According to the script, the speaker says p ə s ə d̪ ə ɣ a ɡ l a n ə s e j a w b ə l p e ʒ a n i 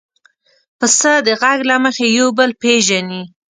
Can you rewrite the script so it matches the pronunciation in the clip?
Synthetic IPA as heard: p ə s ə d̪ ə ɣ a ɡ l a m ə x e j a w b ə l p e ʒ a n i